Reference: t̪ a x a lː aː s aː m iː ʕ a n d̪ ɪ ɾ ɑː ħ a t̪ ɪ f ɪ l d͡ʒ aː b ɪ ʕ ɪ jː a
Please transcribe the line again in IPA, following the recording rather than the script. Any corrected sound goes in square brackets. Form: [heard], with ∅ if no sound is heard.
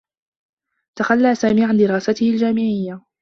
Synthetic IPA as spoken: t̪ a x a lː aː s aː m iː ʕ a n d̪ ɪ ɾ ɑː [s] a t̪ ɪ [h] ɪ l d͡ʒ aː [m] ɪ ʕ ɪ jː a